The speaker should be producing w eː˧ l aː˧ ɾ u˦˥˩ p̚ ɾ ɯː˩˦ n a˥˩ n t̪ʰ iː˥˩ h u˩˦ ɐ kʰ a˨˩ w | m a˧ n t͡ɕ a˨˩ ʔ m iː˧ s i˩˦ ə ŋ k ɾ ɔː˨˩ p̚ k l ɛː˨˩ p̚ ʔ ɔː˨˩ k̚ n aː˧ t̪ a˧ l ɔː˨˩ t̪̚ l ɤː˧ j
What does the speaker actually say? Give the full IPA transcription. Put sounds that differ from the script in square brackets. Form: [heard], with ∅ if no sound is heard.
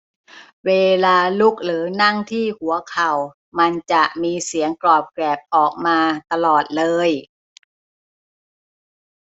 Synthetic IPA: w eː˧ l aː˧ [l] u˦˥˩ [k̚] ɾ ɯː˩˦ n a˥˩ [ŋ] t̪ʰ iː˥˩ h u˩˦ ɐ kʰ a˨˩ w | m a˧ n t͡ɕ a˨˩ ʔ m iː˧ s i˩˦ ə ŋ k [l] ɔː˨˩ p̚ k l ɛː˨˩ p̚ ʔ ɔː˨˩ k̚ [m] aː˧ t̪ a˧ l ɔː˨˩ t̪̚ l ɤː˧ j

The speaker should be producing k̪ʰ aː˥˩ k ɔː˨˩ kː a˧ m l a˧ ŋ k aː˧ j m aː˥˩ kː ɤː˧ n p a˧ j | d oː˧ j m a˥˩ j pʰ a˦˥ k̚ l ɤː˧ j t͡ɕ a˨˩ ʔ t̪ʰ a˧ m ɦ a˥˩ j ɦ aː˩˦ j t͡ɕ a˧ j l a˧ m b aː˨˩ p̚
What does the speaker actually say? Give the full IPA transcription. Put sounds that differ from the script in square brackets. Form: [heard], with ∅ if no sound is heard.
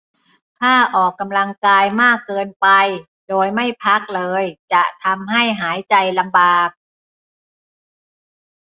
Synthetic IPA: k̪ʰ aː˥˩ [ʔ] ɔː˨˩ kː a˧ m l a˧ ŋ k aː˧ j m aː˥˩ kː ɤː˧ n p a˧ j | d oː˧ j m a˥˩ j pʰ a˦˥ k̚ l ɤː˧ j t͡ɕ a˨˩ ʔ t̪ʰ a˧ m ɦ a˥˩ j ɦ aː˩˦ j t͡ɕ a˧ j l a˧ m b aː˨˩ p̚

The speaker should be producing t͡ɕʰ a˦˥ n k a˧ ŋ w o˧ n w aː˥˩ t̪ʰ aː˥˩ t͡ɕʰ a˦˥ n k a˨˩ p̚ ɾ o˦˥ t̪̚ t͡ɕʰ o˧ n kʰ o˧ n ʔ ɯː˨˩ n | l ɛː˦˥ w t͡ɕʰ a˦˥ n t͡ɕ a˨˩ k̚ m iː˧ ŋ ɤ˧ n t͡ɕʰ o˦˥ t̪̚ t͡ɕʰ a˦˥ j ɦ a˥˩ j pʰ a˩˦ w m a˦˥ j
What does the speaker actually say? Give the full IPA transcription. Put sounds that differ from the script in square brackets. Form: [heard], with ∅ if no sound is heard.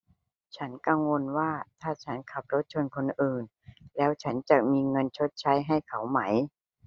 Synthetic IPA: t͡ɕʰ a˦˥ n k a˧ ŋ w o˧ n w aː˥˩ t̪ʰ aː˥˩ t͡ɕʰ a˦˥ n [kʰ] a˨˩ p̚ ɾ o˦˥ t̪̚ t͡ɕʰ o˧ n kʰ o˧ n ʔ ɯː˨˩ n | l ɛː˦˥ w t͡ɕʰ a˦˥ n t͡ɕ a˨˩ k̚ m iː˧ ŋ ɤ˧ n t͡ɕʰ o˦˥ t̪̚ t͡ɕʰ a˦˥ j ɦ a˥˩ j [kʰ] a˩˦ w m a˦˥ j

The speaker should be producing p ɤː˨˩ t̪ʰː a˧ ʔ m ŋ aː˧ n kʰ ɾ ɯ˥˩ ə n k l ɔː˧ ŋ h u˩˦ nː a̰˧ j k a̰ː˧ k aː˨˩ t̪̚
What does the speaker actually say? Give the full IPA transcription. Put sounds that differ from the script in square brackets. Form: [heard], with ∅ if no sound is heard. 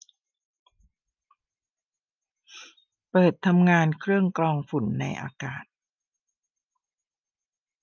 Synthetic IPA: p ɤː˨˩ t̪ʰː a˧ [∅] m ŋ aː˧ n kʰ ɾ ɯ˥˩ ə [ŋ] k l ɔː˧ ŋ [f] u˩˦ nː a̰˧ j [ʔ] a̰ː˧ k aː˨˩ t̪̚

